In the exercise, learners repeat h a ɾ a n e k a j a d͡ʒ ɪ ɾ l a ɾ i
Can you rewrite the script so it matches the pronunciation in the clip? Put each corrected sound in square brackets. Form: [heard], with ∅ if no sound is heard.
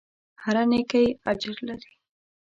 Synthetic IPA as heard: h a ɾ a n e k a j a d͡ʒ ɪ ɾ l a ɾ i

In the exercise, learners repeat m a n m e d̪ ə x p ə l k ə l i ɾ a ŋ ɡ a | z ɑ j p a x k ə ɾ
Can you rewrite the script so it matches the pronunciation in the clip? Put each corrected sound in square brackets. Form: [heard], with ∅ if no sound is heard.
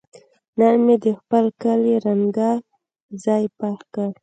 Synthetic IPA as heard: [n] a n m e d̪ ə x p ə l k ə l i ɾ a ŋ ɡ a | z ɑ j p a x k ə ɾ

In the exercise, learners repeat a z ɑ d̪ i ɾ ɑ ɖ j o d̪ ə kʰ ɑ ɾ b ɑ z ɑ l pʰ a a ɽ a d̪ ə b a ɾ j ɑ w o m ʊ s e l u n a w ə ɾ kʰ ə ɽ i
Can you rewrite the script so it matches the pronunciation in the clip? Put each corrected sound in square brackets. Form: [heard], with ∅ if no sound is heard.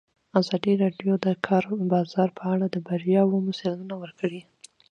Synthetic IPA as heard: a z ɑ d̪ i ɾ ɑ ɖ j o d̪ ə kʰ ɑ ɾ b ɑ z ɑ [ɾ] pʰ [ə] a ɽ a d̪ ə b a ɾ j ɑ w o m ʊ s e l u n a w ə ɾ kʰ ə ɽ i

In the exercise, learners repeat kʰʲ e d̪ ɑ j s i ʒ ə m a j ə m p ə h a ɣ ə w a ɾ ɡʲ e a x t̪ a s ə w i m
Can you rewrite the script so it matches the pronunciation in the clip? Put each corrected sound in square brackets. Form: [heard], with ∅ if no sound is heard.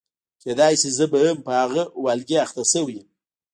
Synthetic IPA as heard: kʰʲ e d̪ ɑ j s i [z] ə [b] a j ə m p ə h a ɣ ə w a [l] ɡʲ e a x t̪ a s ə w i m

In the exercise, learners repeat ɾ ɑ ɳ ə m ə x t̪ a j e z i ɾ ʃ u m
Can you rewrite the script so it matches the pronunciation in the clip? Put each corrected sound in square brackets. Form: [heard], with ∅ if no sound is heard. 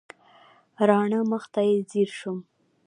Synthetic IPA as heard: ɾ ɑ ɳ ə m ə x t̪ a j e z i ɾ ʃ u m

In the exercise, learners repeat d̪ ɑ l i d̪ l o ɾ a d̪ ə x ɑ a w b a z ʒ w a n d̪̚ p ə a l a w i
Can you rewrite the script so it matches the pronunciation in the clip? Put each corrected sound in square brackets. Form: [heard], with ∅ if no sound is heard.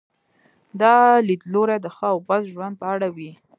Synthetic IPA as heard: d̪ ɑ l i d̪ l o ɾ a d̪ ə x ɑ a w b a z ʒ w a n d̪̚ p ə a [ɽ] a w i

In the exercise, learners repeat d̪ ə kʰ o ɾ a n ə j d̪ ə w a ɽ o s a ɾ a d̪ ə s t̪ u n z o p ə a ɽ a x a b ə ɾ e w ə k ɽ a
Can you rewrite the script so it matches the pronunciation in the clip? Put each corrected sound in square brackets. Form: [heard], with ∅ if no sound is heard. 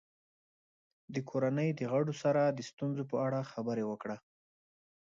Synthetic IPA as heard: d̪ ə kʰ o ɾ a n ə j d̪ ə [ɣ] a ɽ o s a ɾ a d̪ ə s t̪ u n z o p ə a ɽ a x a b ə ɾ e w ə k ɽ a

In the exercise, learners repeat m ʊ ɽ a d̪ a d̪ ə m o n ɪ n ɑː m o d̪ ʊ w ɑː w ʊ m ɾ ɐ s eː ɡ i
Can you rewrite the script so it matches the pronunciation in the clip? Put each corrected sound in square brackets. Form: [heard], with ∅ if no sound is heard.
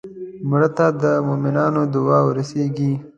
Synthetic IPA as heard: m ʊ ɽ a [t̪] a d̪ ə m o [m] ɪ n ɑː [n] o d̪ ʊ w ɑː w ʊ [∅] ɾ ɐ s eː ɡ i

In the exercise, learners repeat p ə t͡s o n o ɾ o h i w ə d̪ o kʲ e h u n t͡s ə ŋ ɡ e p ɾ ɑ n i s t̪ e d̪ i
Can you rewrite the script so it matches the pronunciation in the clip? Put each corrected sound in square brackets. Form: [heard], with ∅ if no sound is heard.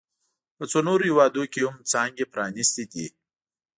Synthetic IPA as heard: p ə t͡s o n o ɾ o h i w [ɑ] d̪ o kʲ e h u [m] t͡s [ɑ] ŋ ɡ e p ɾ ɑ n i s t̪ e d̪ i

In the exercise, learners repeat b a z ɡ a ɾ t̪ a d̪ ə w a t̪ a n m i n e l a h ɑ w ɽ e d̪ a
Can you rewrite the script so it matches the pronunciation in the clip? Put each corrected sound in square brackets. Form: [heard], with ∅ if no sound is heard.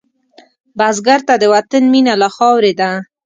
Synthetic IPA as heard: b a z ɡ a ɾ t̪ a d̪ ə w a t̪ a n m i n [a] l a [x] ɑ w [ɾ] e d̪ a

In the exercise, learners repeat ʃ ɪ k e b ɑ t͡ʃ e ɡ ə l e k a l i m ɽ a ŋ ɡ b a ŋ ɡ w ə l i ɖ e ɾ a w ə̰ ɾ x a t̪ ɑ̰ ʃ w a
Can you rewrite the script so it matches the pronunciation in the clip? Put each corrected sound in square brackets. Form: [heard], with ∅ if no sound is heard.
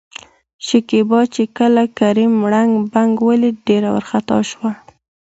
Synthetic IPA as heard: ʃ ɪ k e b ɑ t͡ʃ e [k] ə l [a] k a [ɾ] i m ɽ a ŋ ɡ b a ŋ ɡ w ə l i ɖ e ɾ a w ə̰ ɾ x a t̪ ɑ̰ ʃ w a

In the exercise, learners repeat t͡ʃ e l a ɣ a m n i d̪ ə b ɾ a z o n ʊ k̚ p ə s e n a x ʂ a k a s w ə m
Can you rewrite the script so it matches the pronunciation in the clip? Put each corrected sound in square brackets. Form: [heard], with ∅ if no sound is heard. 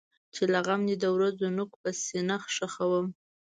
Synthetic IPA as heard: t͡ʃ e l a ɣ a m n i d̪ ə [w] ɾ a z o n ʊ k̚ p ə s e n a x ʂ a [x] a [∅] w ə m

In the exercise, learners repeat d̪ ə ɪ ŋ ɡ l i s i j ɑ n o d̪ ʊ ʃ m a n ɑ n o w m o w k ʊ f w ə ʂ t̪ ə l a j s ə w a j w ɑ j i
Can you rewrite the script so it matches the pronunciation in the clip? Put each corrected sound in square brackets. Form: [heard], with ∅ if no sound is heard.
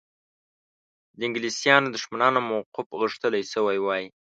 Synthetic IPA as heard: d̪ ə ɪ ŋ ɡ l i s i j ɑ n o d̪ ʊ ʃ m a n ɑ n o [∅] m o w [q] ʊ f [ɣ] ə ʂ t̪ ə l a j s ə w a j w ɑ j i

